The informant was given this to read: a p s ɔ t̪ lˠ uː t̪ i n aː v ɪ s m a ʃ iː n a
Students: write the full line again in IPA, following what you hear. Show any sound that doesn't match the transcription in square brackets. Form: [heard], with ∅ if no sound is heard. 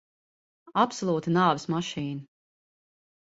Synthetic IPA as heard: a p s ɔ [∅] lˠ uː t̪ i n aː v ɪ s m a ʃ iː n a